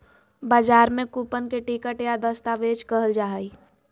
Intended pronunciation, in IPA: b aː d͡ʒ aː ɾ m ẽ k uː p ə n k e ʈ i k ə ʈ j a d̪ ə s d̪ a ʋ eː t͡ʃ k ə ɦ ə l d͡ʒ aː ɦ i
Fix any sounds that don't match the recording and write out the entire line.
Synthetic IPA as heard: b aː d͡ʒ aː ɾ m ẽ k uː p ə n k e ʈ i k ə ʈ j a d̪ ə s t̪ a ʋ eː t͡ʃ k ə ɦ ə l d͡ʒ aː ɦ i